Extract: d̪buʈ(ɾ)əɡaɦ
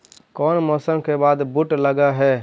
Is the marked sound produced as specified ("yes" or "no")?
no